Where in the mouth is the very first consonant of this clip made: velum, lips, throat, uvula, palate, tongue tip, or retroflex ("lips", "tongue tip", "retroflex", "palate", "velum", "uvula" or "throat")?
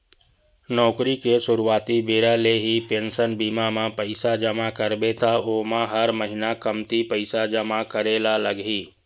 tongue tip